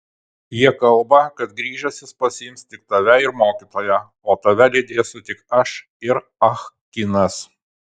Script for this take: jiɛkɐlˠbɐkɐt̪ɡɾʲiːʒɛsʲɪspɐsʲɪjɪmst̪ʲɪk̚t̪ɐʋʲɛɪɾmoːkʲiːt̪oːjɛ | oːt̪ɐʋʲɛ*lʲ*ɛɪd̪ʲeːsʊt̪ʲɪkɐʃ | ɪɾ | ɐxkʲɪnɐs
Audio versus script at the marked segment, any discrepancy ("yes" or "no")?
no